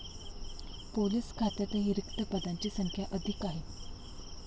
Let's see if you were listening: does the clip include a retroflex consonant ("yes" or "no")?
no